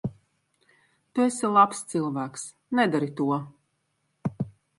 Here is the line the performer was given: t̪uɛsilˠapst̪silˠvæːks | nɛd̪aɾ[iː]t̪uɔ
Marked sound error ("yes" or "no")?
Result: yes